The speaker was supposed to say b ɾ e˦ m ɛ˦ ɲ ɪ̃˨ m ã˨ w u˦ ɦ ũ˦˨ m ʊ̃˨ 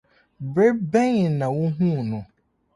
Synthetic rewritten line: b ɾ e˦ b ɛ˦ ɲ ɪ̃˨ n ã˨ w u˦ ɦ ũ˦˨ n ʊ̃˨